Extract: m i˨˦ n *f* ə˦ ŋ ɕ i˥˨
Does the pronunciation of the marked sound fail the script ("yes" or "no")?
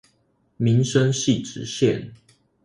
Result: yes